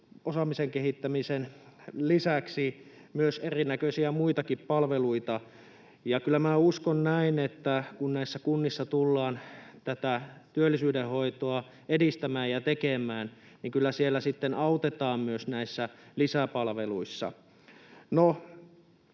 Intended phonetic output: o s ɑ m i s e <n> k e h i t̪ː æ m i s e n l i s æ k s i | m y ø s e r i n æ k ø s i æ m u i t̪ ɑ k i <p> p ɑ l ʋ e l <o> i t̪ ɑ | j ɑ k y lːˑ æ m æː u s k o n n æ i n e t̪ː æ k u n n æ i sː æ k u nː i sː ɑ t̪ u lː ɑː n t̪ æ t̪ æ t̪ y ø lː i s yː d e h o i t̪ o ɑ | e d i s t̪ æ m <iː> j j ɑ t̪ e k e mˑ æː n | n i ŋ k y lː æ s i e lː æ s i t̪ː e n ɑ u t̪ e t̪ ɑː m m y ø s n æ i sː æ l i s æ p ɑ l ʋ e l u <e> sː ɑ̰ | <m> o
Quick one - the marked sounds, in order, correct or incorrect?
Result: incorrect: ŋ, correct, incorrect: u, incorrect: æː, incorrect: i, incorrect: n

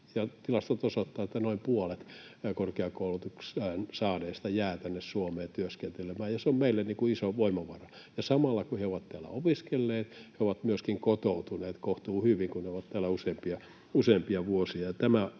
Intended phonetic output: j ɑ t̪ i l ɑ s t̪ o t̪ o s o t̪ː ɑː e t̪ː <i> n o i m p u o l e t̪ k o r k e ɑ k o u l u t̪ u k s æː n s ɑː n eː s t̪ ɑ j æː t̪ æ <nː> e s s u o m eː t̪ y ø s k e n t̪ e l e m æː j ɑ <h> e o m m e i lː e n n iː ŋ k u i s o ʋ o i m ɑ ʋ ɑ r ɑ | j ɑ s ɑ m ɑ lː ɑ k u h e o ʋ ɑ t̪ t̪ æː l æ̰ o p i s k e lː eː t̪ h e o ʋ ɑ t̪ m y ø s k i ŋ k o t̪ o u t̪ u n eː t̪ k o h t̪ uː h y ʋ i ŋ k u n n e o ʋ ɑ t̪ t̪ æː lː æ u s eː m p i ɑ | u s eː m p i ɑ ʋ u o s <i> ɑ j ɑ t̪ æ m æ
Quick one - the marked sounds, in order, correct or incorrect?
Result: incorrect: æ, correct, incorrect: s, correct

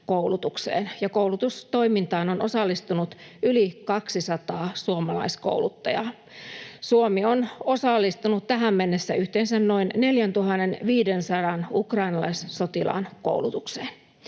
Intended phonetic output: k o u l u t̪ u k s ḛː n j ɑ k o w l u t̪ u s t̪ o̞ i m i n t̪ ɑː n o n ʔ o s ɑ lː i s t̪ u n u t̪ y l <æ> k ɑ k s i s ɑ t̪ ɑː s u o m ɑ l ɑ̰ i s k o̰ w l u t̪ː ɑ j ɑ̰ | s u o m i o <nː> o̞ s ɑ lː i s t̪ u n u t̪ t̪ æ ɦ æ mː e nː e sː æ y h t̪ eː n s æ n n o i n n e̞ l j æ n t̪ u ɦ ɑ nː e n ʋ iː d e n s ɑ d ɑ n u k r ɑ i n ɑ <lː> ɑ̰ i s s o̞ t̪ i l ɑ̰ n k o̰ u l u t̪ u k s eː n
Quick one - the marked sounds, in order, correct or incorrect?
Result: incorrect: i, incorrect: n, incorrect: l

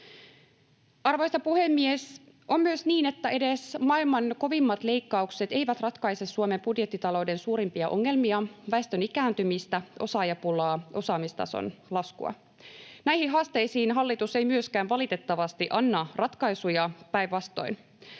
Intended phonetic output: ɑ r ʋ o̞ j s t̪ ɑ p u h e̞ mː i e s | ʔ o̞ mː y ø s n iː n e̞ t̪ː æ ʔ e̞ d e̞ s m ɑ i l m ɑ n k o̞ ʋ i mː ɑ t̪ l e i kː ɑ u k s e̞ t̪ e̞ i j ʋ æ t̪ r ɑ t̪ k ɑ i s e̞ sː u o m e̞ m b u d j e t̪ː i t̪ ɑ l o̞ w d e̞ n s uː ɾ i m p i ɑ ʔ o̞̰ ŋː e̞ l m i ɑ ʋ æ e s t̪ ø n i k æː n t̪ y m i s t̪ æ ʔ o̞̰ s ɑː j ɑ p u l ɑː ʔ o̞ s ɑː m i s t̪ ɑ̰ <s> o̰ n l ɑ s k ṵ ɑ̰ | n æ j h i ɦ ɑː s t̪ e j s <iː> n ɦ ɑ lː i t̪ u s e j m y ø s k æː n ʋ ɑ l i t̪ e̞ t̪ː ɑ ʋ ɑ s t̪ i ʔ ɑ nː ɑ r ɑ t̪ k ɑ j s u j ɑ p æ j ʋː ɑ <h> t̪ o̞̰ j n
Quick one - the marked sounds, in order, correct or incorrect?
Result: correct, correct, incorrect: s

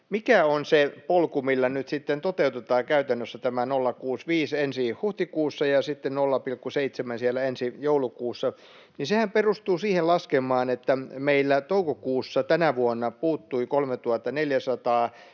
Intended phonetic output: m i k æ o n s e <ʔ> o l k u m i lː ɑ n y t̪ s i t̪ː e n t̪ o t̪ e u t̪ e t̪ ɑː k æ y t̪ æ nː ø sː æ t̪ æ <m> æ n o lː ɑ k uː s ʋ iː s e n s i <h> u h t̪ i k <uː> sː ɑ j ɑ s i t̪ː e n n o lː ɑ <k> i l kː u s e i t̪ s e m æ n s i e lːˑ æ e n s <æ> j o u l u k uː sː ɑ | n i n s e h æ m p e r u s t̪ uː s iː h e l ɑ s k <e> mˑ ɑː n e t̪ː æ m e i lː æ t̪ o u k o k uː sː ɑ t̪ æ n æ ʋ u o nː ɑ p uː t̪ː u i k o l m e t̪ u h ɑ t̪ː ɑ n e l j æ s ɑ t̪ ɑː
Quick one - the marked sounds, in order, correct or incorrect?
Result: incorrect: p, correct, correct, correct, incorrect: p, incorrect: i, correct

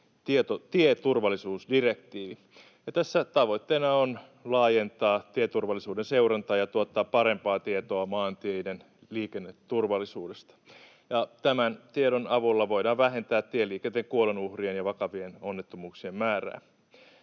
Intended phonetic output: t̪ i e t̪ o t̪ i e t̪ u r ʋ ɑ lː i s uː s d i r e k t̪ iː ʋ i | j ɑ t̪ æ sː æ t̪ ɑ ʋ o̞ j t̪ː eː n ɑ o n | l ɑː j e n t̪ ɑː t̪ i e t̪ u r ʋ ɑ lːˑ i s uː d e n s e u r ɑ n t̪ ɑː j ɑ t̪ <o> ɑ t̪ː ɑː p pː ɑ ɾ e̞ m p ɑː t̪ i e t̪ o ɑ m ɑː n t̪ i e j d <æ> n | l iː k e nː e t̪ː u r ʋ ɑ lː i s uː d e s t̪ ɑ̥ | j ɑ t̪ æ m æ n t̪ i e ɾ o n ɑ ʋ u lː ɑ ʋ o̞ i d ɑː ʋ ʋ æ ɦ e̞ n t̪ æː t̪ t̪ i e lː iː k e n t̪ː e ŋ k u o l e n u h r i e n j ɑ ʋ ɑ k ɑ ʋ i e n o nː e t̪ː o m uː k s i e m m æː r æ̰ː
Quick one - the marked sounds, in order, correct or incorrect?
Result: incorrect: u, incorrect: e

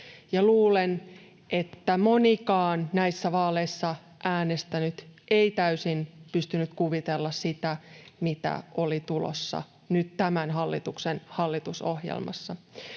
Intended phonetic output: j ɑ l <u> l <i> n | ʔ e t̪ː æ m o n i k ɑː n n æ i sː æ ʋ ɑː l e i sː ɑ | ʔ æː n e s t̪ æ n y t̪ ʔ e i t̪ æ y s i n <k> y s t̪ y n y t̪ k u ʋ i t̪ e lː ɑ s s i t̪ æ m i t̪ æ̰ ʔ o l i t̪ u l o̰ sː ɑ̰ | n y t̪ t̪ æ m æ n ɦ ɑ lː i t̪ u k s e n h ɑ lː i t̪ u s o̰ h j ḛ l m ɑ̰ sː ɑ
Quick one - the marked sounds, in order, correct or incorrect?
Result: incorrect: uː, incorrect: e, incorrect: p

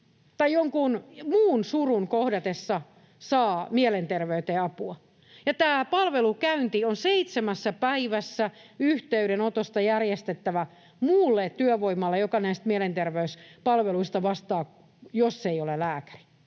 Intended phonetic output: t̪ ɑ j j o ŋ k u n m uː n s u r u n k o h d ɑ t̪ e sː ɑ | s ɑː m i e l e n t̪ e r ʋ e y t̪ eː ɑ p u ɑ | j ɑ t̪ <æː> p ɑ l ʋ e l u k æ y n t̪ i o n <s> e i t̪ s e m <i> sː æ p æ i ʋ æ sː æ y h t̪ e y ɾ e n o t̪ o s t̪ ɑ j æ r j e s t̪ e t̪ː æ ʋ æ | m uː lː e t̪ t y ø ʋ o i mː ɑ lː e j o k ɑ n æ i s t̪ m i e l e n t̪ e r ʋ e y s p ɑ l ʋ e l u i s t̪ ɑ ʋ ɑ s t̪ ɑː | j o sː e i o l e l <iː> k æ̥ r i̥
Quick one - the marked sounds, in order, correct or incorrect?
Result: correct, correct, incorrect: æ, incorrect: æː

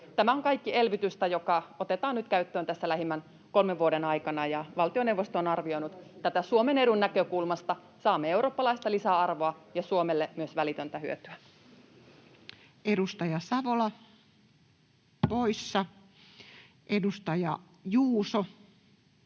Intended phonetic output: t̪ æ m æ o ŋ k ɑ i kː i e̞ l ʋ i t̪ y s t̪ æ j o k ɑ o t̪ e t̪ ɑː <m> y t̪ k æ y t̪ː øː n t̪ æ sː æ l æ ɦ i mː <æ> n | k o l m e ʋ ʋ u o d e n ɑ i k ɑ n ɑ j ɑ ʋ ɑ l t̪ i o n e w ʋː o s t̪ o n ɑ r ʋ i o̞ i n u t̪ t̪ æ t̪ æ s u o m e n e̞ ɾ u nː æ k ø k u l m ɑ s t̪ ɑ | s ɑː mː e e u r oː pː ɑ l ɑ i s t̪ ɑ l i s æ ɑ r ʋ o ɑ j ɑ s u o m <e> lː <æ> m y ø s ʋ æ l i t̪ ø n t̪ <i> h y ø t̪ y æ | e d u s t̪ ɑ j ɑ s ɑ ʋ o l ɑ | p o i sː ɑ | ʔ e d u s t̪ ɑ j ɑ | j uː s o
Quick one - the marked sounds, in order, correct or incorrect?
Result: incorrect: n, correct, correct, incorrect: e, incorrect: æ

